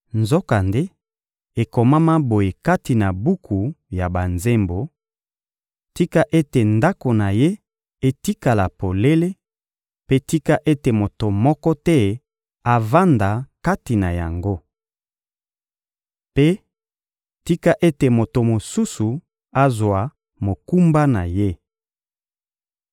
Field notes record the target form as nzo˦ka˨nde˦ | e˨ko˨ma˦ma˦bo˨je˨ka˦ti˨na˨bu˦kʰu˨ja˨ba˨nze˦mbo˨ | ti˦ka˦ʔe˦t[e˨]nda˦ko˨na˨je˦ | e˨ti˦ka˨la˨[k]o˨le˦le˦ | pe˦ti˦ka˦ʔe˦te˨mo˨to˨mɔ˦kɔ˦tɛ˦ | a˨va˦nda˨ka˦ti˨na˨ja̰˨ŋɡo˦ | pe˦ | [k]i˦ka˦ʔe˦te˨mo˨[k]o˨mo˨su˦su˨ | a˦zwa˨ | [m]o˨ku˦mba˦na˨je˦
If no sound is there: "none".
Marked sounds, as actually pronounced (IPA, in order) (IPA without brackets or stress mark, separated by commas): e˨, p, t, t, m